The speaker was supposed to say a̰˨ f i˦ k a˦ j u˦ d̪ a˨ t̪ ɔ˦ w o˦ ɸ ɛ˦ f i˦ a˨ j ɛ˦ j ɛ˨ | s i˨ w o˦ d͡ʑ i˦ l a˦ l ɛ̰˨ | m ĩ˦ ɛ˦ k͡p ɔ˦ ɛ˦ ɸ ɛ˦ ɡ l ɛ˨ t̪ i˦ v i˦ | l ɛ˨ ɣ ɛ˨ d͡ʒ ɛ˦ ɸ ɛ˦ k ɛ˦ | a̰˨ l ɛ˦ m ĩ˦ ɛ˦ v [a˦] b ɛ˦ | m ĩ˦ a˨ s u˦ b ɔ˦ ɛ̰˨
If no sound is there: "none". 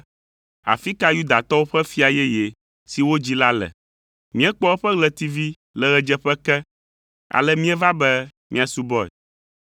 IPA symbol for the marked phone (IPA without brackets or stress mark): a˦